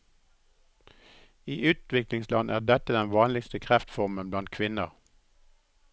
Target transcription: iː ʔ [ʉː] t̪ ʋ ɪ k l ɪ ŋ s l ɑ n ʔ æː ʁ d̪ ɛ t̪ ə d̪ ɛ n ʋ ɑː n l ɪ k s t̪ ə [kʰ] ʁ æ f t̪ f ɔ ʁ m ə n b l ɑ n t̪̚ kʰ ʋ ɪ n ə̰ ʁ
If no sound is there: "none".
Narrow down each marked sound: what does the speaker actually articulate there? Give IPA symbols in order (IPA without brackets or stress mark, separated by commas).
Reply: ʉː, kʰ